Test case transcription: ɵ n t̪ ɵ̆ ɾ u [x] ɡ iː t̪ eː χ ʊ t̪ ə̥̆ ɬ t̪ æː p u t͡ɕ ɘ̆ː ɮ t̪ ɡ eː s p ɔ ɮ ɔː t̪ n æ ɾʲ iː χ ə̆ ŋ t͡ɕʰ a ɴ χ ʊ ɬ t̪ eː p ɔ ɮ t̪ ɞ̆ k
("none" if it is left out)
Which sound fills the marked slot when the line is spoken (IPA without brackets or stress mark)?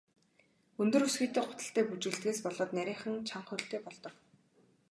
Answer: s